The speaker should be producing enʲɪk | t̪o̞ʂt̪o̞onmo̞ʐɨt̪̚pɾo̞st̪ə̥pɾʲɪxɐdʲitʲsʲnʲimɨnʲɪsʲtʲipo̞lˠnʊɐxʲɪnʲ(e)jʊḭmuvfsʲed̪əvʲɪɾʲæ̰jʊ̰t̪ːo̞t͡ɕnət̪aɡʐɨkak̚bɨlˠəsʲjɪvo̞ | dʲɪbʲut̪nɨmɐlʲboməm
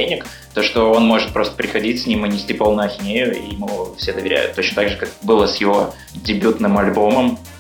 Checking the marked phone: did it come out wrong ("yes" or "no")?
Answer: no